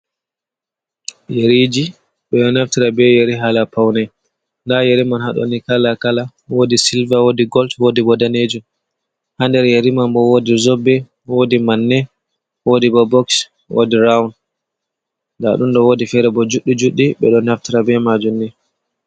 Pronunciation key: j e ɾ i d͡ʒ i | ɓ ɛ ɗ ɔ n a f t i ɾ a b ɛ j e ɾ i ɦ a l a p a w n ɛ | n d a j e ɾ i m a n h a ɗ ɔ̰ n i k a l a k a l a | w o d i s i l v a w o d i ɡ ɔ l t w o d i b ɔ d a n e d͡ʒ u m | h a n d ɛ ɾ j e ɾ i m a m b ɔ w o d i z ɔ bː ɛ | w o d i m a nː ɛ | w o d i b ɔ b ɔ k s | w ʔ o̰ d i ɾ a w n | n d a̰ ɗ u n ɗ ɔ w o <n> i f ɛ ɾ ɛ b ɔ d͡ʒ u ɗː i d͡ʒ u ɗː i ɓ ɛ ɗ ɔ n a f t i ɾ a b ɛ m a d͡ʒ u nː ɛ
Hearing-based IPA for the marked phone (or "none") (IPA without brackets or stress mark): d